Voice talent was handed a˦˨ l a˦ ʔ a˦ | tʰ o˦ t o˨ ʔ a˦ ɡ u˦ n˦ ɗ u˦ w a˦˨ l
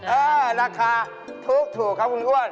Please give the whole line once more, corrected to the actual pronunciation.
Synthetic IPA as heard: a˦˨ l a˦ k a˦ | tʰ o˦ t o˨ k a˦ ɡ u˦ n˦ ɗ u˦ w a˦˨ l